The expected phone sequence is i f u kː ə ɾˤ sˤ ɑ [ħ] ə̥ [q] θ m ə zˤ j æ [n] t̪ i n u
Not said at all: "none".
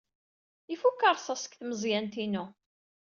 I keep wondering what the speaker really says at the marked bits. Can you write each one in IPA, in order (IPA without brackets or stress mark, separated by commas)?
s, k, n